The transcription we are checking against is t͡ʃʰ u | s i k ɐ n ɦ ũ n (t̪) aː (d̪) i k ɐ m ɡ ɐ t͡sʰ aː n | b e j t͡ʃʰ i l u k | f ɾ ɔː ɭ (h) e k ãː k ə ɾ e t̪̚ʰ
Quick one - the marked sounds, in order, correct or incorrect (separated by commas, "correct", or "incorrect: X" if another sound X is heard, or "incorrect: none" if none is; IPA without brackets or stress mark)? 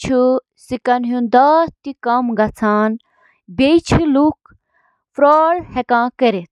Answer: incorrect: d̪, incorrect: t̪, correct